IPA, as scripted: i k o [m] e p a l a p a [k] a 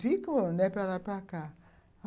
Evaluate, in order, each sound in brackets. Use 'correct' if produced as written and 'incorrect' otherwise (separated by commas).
incorrect, correct